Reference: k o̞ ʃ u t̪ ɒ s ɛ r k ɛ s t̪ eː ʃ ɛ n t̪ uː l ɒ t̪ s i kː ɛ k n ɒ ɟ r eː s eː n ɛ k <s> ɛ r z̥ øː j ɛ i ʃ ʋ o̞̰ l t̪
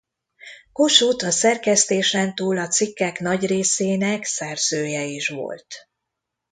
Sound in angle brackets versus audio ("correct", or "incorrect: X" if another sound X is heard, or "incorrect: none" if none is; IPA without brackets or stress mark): correct